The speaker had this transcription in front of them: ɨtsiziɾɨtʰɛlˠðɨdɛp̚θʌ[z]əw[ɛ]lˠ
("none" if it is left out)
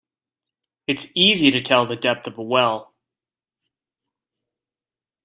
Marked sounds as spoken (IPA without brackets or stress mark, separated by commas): v, ɛ